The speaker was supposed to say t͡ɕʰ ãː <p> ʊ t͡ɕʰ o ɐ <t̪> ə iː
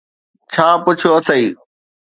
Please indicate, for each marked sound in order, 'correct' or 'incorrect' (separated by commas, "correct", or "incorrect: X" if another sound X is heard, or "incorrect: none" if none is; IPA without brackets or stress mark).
correct, incorrect: t̪ʰ